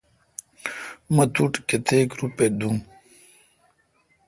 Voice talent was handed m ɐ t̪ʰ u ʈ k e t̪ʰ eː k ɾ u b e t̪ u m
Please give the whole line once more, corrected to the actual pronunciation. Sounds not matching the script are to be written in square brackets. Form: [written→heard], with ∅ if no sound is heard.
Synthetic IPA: m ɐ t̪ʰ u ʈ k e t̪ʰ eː k ɾ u [b→p] e [t̪→d̪] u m